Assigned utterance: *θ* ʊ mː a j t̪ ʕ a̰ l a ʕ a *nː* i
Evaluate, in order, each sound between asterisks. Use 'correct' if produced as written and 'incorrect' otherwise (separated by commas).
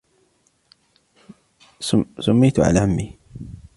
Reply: incorrect, incorrect